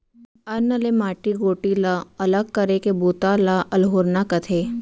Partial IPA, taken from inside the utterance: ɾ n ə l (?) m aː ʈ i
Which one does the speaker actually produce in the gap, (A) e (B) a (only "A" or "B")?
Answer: A